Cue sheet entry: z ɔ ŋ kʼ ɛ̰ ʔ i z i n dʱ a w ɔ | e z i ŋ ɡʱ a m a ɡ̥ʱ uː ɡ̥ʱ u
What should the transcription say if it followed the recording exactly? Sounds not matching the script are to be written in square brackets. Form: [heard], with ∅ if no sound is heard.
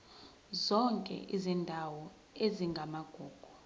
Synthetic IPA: z ɔ ŋ kʼ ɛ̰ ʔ i z i n dʱ a w ɔ | e z i ŋ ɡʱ a m a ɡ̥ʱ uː ɡ̥ʱ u

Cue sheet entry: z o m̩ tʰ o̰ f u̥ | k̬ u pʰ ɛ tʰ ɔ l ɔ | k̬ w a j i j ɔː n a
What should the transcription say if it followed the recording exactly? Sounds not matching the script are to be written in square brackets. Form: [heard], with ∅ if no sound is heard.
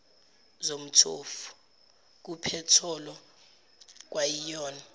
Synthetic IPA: z o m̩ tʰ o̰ f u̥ | k̬ u pʰ ɛ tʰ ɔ l ɔ | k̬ w a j i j ɔː n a

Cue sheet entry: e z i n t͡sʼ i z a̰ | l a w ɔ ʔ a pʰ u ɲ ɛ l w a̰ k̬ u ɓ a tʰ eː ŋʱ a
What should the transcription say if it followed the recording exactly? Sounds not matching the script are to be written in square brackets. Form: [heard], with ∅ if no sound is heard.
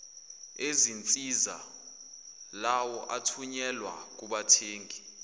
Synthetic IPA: e z i n t͡sʼ i z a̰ | l a w ɔ ʔ a [tʰ] u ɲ ɛ l w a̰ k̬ u ɓ a tʰ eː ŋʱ [i]

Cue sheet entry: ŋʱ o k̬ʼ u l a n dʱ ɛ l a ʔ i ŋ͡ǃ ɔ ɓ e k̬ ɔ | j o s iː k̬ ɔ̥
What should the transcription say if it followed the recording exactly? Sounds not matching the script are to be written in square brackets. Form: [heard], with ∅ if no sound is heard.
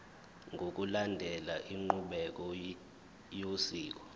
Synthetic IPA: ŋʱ o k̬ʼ u l a n dʱ ɛ l a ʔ i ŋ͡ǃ [u] ɓ [ɛ] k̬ ɔ | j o s iː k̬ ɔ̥

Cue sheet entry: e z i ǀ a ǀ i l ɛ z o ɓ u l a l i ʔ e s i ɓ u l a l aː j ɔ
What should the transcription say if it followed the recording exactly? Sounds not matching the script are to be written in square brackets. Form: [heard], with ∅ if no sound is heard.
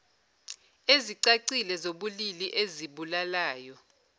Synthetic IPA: e z i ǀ a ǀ i l ɛ z o ɓ u l [i] l i ʔ e [z] i ɓ u l a l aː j ɔ

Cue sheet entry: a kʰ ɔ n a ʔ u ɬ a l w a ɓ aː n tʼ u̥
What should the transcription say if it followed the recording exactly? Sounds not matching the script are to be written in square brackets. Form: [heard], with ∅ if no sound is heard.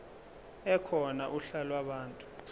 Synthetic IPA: [ɛ] kʰ ɔ n a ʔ u ɬ a l w a ɓ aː n tʼ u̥

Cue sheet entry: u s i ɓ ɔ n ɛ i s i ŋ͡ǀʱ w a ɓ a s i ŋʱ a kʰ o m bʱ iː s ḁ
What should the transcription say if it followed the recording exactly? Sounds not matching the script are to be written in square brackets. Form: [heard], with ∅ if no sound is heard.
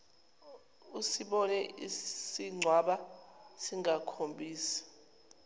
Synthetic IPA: u s i ɓ ɔ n ɛ i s i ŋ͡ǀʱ w a ɓ a s i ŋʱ a kʰ o m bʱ iː s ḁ

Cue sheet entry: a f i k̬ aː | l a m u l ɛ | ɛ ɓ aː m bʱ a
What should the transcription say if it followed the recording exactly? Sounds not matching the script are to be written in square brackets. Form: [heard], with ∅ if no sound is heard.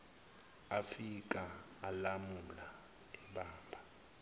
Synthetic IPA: a f i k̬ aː | l a m u l [a] | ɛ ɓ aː m bʱ a

